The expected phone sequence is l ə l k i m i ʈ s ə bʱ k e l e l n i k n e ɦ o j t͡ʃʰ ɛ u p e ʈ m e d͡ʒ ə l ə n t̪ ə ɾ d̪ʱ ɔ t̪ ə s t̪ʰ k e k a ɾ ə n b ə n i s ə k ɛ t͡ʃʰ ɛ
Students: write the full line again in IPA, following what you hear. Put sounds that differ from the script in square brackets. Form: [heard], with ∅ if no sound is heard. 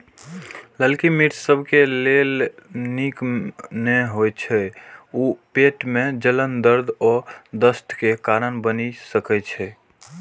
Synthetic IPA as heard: l ə l k i m i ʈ s ə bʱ k e l e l n i k n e ɦ o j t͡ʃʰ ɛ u p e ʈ m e d͡ʒ ə l ə n [d̪] ə ɾ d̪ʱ ɔ [d̪] ə s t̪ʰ k e k a ɾ ə n b ə n i s ə k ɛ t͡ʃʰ ɛ